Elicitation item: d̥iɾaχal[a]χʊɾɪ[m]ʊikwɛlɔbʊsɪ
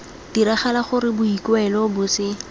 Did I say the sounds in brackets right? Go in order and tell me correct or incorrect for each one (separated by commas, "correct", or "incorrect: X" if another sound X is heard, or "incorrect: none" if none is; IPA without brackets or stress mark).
correct, incorrect: b